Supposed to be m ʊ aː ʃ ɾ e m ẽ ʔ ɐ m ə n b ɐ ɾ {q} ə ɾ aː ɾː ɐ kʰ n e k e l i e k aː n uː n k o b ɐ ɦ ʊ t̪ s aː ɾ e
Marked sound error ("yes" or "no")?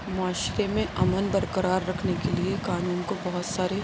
yes